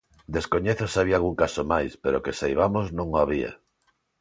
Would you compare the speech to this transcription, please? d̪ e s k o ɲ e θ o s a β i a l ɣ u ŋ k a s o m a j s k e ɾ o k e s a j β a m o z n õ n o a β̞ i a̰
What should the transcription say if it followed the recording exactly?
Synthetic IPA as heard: d̪ e s k o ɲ e θ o s a β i a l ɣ u ŋ k a s o m a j s p e ɾ o k e s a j β a m o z n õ ŋ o a β̞ i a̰